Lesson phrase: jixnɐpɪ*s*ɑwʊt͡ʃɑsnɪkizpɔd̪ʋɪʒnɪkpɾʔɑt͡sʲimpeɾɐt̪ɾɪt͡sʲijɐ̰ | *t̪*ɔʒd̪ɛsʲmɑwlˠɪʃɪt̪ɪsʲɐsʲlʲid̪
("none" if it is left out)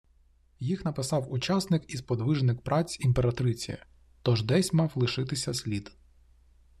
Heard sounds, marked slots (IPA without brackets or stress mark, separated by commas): s, t̪